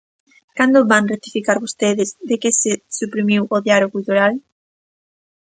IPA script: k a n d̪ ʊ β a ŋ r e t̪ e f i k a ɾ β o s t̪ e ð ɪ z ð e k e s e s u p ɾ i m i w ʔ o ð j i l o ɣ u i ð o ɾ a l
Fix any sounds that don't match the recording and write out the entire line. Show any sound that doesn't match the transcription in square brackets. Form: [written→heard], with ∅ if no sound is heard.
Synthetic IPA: k a n d̪ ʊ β a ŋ r e t̪ [e→i] f i k a ɾ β o s t̪ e ð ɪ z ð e k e s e s u p ɾ i m i w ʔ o ð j [i→a] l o ɣ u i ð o ɾ a l